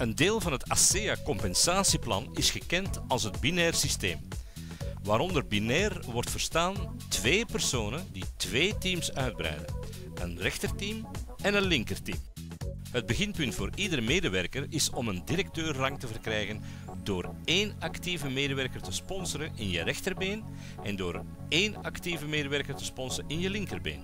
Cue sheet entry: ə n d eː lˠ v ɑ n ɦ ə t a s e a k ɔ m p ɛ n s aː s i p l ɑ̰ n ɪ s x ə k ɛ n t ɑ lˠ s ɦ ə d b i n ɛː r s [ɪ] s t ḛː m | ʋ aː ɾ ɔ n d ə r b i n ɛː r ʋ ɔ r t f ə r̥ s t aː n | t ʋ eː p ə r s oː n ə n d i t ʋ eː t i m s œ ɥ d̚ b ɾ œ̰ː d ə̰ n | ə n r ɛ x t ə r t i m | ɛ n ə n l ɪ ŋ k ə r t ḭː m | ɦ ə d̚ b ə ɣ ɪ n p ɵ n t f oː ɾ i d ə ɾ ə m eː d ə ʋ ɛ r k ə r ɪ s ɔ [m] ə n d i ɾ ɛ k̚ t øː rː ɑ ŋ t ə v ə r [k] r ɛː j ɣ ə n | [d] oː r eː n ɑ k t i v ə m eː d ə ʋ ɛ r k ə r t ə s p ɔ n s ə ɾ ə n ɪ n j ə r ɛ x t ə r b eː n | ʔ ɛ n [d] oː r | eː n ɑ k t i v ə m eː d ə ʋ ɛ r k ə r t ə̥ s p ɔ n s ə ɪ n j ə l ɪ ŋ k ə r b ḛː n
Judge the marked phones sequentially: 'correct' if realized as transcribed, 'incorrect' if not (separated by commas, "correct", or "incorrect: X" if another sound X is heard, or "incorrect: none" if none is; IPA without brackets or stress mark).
incorrect: i, correct, correct, correct, correct